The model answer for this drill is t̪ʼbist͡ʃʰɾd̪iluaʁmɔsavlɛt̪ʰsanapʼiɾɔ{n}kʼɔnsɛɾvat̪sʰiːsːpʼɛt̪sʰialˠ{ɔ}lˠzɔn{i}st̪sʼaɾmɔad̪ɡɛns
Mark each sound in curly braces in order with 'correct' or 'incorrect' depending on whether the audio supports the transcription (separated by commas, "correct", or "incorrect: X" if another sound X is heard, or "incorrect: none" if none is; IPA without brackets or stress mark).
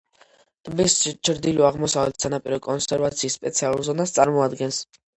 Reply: incorrect: none, incorrect: u, incorrect: a